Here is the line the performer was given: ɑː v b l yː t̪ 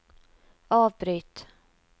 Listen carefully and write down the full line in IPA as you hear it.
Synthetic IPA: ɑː v b ɾ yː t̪